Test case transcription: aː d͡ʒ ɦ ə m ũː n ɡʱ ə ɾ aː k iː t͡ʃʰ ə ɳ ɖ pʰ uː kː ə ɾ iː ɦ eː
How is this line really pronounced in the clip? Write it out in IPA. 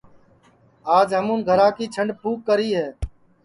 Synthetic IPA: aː d͡ʒ ɦ ə m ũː n ɡʱ ə ɾ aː k iː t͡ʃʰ ə ɳ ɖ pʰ uː kː ə ɾ iː ɦ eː